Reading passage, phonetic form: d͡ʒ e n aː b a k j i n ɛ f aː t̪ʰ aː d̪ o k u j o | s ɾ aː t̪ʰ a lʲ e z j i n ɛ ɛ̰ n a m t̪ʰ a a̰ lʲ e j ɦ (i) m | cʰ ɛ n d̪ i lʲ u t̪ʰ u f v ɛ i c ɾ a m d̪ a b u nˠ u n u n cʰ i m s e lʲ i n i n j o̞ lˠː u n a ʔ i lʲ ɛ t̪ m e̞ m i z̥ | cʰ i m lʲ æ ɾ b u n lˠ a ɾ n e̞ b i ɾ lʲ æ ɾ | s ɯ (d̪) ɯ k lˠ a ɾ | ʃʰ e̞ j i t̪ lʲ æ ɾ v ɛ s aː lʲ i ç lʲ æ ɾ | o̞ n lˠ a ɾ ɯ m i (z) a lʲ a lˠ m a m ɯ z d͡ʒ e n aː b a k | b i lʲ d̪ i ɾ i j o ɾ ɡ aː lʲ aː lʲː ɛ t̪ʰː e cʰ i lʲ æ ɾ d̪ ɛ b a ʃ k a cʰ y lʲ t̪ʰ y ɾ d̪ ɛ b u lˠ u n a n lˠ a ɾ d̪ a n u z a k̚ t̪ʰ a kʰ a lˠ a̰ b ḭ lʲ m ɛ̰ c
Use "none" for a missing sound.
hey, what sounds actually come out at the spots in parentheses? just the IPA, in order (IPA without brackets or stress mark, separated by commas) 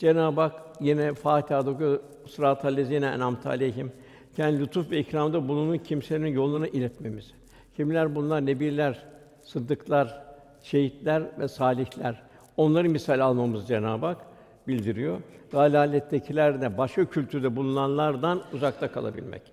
i, d̪ː, s